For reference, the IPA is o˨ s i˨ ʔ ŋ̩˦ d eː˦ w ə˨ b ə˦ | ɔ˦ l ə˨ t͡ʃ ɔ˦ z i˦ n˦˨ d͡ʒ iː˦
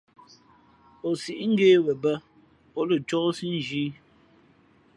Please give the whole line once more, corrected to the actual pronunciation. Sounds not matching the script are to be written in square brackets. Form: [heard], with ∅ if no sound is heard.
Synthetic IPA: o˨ s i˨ ʔ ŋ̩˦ [ɡ] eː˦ w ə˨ b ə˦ | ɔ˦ l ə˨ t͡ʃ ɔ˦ [s] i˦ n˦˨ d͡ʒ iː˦